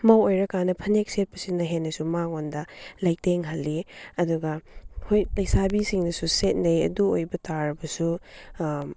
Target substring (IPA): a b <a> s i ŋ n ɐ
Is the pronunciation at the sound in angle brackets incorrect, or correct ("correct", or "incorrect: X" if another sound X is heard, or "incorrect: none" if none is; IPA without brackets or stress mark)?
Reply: incorrect: i